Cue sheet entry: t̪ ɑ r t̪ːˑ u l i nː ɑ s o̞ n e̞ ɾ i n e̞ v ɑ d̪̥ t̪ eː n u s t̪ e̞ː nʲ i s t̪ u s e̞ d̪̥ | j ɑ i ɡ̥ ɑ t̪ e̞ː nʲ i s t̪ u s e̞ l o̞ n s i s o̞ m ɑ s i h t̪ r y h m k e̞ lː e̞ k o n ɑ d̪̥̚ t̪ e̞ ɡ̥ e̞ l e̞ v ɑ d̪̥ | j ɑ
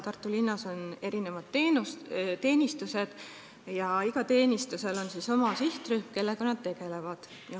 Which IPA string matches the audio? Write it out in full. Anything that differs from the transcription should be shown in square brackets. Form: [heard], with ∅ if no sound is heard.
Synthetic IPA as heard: t̪ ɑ r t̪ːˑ u l i nː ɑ s o̞ n e̞ ɾ i n e̞ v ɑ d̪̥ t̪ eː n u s t̪ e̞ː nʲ i s t̪ u s e̞ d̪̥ | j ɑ i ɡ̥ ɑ t̪ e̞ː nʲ i s t̪ u s e̞ l o̞ n s i s o̞ m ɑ s i h t̪ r y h m k e̞ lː e̞ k o n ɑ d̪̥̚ t̪ e̞ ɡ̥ e̞ l e̞ v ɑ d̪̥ | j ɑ